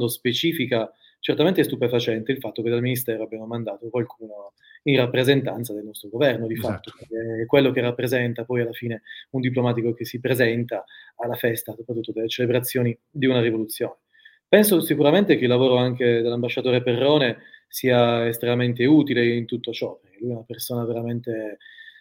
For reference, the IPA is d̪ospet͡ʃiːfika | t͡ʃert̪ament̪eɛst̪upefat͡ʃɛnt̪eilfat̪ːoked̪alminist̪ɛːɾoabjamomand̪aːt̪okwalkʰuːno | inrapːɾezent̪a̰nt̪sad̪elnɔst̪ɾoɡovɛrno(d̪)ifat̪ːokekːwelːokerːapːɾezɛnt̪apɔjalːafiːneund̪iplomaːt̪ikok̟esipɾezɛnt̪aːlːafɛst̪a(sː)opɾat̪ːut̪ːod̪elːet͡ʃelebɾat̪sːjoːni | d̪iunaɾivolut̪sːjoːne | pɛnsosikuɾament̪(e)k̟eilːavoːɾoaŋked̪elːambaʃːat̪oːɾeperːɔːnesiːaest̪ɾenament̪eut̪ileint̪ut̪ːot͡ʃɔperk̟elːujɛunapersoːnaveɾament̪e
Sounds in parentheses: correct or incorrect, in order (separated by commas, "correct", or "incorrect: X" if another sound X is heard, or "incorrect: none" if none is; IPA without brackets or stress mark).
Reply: correct, incorrect: s, correct